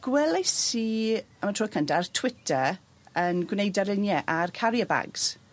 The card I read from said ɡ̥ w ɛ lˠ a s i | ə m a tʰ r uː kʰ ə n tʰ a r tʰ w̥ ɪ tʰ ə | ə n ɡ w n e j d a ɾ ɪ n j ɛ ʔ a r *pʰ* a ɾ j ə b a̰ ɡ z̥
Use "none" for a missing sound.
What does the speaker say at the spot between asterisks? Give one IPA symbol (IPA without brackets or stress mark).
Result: kʰ